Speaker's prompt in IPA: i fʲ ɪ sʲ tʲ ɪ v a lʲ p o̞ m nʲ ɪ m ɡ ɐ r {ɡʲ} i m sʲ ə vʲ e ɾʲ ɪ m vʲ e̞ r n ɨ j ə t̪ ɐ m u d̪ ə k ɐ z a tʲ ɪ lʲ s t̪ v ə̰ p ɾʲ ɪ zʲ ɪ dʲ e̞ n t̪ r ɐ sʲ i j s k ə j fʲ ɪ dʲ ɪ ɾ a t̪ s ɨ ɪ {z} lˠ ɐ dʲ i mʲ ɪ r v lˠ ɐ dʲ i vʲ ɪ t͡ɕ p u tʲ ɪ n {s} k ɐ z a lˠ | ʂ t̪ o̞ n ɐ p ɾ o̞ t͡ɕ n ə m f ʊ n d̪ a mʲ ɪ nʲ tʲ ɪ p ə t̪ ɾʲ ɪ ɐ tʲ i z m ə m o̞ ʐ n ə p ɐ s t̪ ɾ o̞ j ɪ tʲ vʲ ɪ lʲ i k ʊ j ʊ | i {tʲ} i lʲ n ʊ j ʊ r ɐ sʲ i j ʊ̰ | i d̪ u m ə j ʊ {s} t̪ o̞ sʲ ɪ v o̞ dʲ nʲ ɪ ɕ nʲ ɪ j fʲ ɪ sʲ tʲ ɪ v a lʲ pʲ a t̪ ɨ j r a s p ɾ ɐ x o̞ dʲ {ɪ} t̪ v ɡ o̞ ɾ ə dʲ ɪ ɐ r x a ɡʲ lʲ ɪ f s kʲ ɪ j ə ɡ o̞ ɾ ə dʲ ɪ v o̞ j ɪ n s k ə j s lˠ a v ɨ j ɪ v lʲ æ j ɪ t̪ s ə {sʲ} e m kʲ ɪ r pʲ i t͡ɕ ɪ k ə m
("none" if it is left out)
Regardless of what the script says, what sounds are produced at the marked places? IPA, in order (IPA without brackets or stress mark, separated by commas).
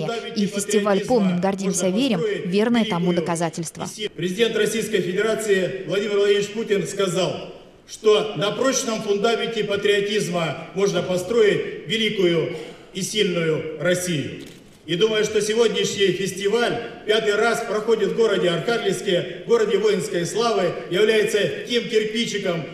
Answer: dʲ, v, s, sʲ, ʂ, ɪ, tʲ